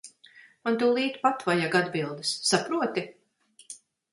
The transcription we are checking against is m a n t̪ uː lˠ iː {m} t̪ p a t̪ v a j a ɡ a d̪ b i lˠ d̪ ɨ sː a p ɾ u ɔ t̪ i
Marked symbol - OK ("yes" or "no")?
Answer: no